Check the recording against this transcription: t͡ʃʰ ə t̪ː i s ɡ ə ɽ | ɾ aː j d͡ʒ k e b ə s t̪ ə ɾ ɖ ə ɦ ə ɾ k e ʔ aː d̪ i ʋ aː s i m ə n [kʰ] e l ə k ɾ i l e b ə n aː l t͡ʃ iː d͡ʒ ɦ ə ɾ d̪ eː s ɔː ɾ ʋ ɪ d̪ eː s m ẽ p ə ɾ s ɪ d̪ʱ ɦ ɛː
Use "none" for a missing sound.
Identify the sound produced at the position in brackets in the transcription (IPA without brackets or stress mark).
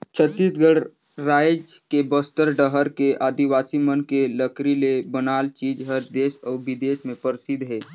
k